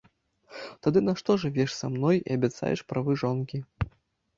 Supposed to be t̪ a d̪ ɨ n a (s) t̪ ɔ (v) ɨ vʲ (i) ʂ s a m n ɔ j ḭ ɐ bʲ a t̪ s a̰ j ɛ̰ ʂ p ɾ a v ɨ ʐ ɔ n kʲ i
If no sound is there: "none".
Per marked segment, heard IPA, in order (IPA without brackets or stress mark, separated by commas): ʂ, ʐ, ɛ